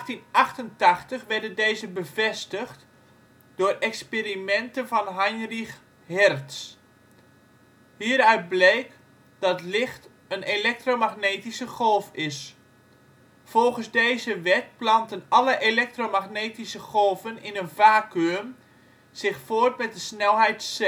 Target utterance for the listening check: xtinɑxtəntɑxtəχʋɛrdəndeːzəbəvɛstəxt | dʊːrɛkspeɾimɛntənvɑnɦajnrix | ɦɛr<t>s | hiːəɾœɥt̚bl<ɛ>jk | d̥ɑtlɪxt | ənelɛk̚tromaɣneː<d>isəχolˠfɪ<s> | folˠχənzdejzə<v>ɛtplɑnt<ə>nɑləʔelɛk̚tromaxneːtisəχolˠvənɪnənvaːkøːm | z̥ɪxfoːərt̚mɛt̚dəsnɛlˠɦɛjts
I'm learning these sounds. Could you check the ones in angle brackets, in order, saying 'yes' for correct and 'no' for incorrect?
yes, no, no, yes, no, yes

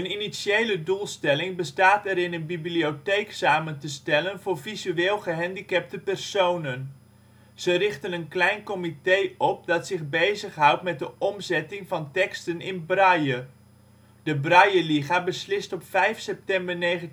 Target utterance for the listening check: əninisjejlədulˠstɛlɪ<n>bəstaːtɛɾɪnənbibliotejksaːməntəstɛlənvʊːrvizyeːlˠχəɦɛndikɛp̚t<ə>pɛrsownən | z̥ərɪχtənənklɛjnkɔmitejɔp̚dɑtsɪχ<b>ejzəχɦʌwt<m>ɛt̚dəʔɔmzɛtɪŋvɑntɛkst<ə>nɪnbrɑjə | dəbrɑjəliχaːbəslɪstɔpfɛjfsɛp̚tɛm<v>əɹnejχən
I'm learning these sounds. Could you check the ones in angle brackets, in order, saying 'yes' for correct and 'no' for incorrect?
no, yes, yes, yes, yes, no

